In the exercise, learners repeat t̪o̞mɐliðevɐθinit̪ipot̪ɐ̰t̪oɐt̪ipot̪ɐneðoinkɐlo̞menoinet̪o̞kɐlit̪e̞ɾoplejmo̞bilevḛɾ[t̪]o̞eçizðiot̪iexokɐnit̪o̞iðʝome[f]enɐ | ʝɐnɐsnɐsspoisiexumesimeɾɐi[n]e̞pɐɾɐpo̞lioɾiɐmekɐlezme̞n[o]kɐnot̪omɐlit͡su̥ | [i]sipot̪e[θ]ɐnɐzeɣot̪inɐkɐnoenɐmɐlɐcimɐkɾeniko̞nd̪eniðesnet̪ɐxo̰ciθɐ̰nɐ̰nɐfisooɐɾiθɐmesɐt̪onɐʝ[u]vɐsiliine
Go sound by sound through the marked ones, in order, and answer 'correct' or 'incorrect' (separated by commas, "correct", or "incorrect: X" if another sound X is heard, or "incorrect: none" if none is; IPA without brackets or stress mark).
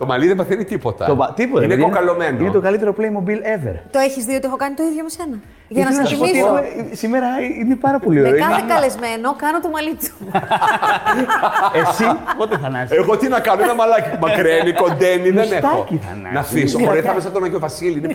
correct, incorrect: s, correct, correct, incorrect: e, correct, incorrect: o